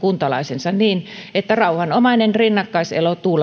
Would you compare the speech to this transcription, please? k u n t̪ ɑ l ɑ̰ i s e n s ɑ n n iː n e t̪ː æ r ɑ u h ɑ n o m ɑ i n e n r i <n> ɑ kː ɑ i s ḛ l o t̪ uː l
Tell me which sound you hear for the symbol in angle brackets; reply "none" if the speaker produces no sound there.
nː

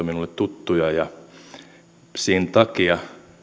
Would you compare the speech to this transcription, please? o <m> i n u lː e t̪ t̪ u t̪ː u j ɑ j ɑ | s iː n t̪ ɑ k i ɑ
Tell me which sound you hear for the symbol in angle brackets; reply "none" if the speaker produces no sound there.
m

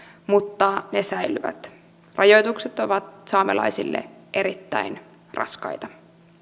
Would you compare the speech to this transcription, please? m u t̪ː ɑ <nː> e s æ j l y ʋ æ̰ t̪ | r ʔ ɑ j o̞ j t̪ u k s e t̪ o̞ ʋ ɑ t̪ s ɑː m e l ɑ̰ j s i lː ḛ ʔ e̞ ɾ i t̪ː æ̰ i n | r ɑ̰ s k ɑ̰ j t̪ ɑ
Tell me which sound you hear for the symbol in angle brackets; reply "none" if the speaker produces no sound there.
n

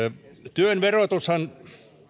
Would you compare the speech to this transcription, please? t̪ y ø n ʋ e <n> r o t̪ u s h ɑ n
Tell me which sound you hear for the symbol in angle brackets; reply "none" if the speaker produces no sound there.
none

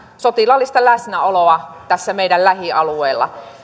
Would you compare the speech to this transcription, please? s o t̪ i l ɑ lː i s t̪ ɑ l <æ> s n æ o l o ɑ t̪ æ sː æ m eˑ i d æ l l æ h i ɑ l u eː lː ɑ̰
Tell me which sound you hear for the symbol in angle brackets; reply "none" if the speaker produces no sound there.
æ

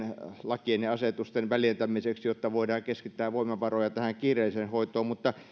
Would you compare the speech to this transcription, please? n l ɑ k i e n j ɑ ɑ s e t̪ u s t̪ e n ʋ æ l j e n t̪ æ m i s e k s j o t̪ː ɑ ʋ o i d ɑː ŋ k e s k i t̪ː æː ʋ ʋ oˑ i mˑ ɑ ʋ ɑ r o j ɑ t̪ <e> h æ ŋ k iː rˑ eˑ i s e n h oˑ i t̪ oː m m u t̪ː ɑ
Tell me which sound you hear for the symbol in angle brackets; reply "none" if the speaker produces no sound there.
æ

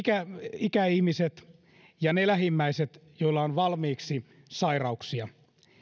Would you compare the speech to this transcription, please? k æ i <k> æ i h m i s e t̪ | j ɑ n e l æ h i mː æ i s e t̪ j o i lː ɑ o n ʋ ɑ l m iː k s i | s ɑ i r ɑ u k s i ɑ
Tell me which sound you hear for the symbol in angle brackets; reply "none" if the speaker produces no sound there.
k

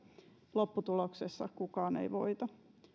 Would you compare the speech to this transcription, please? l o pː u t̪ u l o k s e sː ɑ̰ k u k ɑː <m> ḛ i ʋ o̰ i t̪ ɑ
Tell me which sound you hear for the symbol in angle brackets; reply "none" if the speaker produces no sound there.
n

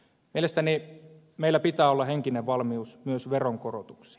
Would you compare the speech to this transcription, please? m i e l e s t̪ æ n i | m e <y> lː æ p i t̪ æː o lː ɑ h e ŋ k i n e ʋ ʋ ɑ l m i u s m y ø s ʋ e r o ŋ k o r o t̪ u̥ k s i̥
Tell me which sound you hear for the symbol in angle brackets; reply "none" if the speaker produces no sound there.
i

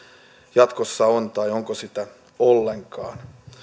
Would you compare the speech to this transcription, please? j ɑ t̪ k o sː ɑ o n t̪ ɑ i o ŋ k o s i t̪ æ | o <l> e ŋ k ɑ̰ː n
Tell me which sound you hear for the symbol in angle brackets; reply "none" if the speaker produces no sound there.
lː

